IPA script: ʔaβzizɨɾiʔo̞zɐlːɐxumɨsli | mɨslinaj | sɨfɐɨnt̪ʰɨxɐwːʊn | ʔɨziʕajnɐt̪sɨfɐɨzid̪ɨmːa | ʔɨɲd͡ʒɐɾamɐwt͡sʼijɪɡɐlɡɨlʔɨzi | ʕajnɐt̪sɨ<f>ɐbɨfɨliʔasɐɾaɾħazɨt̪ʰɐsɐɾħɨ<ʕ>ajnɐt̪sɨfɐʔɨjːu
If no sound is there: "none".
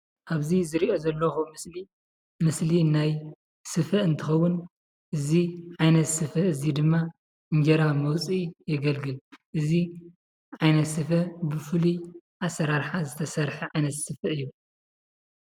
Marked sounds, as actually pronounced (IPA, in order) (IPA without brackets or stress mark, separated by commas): f, ʕ